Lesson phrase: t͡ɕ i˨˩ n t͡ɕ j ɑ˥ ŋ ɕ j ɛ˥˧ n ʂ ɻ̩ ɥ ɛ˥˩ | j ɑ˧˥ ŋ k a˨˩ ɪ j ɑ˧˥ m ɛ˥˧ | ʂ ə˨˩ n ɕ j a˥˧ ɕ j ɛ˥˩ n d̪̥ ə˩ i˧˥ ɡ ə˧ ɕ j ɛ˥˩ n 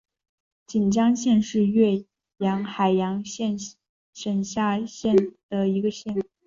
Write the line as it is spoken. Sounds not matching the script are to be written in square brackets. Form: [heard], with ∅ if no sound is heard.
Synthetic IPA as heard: t͡ɕ i˨˩ n t͡ɕ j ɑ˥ ŋ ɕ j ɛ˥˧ n ʂ ɻ̩ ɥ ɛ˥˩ | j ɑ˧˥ ŋ [x] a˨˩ ɪ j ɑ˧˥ [ŋ] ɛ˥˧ | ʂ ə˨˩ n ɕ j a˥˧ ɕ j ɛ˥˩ n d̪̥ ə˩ i˧˥ ɡ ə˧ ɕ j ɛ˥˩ n